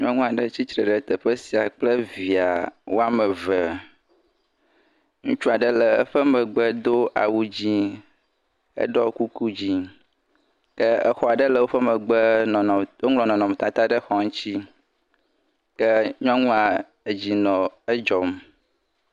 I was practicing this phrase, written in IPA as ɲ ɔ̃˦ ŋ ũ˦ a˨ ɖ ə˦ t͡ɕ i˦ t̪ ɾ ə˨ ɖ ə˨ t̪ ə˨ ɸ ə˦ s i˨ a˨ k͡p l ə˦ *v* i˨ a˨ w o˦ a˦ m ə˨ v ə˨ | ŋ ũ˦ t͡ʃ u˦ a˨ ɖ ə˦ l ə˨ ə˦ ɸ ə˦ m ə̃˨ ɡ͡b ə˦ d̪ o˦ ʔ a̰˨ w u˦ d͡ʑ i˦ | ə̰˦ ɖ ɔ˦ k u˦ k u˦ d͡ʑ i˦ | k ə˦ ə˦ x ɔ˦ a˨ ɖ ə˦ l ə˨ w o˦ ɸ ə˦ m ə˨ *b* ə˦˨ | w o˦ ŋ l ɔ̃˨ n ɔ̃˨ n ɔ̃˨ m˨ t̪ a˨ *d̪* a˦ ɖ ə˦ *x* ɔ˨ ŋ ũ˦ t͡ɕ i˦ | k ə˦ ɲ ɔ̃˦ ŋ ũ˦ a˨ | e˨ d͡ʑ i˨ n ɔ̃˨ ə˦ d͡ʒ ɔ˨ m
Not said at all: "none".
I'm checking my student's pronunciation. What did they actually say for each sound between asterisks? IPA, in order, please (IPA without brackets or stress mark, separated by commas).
v, ɡ͡b, t̪, x